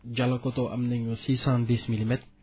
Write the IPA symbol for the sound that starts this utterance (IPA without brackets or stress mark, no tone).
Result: d͡ʒ